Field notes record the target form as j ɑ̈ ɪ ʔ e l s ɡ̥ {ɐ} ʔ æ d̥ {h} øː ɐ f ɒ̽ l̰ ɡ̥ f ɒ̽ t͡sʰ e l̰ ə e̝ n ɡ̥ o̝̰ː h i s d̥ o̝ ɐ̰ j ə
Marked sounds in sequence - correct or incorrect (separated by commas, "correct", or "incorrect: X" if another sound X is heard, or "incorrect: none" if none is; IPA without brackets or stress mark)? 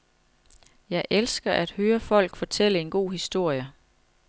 correct, correct